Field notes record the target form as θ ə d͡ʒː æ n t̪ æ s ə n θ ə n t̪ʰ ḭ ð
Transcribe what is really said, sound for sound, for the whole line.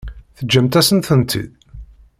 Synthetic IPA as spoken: θ ə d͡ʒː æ m t̪ æ s ə n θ ə n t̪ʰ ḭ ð